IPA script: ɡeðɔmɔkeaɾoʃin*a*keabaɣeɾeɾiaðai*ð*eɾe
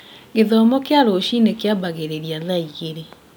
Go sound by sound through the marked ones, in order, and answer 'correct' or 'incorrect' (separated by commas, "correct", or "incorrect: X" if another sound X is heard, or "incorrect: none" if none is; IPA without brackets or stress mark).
incorrect: e, incorrect: ɣ